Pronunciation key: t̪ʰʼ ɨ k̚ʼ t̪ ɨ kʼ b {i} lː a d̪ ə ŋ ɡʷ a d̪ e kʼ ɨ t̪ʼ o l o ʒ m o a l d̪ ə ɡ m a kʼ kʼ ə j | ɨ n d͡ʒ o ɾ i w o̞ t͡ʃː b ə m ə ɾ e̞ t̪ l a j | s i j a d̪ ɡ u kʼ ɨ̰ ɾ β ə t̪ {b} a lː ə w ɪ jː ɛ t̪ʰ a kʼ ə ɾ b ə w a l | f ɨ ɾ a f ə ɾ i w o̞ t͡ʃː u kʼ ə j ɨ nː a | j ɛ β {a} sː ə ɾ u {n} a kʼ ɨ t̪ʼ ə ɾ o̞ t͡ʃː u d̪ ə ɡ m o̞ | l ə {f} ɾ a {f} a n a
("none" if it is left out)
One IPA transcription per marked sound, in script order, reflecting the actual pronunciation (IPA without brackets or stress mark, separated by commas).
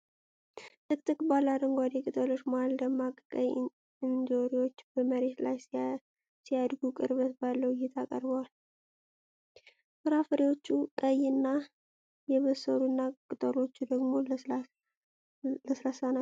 a, b, ə, nː, s, s